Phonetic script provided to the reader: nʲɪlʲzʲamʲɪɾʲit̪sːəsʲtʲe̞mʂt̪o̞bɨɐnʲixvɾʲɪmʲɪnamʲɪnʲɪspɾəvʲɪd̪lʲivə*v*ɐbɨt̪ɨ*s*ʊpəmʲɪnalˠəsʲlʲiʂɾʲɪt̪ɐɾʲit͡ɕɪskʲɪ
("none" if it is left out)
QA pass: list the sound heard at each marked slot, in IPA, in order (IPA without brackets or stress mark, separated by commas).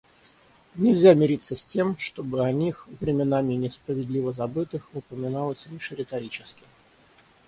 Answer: z, x